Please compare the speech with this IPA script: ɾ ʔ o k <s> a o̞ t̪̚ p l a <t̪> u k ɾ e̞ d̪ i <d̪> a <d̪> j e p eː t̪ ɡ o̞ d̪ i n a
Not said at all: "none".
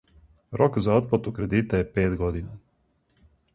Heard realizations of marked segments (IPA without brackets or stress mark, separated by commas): z, t̪, t̪, none